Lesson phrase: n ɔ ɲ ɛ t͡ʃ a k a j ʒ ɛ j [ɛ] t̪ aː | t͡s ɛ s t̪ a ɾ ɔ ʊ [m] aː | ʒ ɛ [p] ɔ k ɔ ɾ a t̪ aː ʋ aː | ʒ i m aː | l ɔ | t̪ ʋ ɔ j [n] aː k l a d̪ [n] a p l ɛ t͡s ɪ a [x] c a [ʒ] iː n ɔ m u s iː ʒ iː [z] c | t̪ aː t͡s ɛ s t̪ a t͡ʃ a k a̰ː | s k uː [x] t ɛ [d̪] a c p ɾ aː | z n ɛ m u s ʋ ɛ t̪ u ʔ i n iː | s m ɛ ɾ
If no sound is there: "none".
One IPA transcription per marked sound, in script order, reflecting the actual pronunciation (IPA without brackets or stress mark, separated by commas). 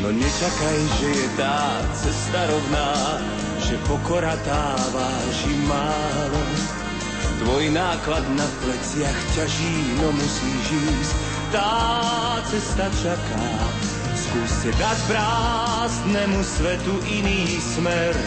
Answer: ɛ, n, p, n, n, x, ʒ, s, s, d̪